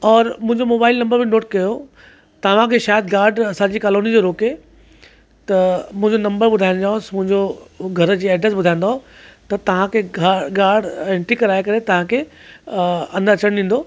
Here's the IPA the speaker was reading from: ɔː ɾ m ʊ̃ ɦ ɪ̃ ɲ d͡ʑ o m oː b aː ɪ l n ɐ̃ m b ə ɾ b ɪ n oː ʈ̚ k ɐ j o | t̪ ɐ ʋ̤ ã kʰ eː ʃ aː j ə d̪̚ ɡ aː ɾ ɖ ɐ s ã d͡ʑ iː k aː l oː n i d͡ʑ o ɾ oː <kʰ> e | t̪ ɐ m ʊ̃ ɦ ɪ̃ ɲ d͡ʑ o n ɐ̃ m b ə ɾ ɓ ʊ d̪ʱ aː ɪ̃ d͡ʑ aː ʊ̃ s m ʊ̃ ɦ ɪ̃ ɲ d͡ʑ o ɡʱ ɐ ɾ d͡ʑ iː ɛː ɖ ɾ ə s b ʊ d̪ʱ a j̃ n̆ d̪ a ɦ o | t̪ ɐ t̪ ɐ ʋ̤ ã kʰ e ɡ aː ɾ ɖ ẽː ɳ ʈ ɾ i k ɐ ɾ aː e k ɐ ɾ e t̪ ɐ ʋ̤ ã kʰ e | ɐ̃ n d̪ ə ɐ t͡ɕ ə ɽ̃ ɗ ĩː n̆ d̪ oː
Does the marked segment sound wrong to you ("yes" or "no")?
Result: yes